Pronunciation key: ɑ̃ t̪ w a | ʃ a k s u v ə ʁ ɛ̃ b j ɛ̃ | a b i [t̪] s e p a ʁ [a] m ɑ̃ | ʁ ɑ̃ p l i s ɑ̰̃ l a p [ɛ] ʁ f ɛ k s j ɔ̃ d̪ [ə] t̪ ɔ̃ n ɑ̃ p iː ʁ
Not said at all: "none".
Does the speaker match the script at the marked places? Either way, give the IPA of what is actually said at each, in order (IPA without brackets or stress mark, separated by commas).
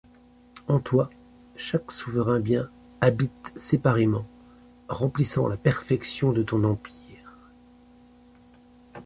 t̪, e, ɛ, ə